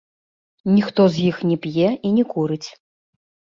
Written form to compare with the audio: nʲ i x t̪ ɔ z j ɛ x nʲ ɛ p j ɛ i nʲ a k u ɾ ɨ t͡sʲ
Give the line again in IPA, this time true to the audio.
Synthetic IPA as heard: nʲ i x t̪ ɔ z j i x nʲ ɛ p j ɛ i nʲ ɛ k u ɾ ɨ t͡sʲ